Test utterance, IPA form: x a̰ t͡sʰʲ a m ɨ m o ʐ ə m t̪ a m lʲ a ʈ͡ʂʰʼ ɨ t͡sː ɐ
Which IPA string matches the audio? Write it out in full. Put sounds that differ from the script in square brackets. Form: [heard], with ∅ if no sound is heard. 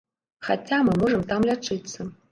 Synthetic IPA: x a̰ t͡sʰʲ a m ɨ m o ʐ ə m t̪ a m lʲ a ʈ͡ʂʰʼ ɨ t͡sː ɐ